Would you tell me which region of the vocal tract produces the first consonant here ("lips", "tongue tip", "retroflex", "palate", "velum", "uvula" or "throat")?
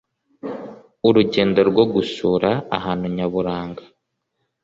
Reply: tongue tip